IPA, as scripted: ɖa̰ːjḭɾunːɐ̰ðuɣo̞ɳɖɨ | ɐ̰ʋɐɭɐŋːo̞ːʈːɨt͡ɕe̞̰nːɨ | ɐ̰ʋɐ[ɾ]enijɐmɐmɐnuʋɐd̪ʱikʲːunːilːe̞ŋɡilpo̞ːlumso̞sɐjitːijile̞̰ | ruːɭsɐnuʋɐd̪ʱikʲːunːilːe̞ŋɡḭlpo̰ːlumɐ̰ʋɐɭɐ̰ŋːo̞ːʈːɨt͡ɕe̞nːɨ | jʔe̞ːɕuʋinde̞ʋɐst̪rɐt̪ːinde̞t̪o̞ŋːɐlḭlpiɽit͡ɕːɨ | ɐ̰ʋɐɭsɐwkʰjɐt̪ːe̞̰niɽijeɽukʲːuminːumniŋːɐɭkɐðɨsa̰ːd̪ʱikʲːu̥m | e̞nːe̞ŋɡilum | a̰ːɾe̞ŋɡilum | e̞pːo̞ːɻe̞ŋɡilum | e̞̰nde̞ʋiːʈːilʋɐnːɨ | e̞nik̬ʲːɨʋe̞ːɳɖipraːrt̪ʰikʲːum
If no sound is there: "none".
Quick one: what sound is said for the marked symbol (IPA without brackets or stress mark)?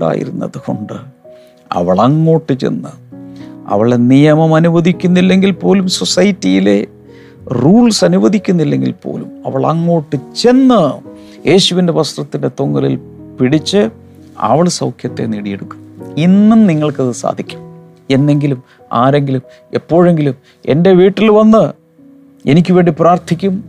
ɭ